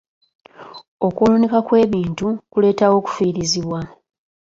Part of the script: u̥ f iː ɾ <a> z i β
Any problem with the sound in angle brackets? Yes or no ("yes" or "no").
yes